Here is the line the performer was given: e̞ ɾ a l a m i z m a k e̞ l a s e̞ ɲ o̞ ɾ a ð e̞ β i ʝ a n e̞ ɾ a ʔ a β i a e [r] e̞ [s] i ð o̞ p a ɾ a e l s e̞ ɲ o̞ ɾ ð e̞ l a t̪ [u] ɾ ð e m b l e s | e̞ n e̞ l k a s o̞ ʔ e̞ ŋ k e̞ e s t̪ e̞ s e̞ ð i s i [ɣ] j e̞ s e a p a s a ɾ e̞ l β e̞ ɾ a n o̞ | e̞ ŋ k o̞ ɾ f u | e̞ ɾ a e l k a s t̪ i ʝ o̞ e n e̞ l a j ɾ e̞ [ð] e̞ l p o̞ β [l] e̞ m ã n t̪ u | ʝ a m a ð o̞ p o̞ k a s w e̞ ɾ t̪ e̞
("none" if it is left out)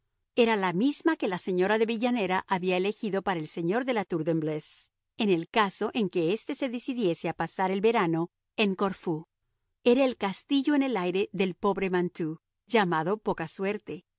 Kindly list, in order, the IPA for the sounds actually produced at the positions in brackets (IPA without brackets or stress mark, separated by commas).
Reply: l, x, u, ð, ð, ɾ